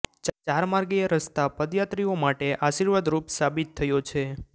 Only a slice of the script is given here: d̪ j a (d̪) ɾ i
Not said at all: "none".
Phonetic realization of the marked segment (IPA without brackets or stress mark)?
t̪